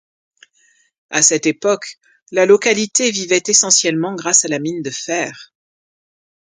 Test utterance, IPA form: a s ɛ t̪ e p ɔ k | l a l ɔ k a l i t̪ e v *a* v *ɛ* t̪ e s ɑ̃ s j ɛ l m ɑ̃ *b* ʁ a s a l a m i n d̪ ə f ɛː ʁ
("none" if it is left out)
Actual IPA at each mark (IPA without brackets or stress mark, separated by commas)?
i, ɛ, ɡ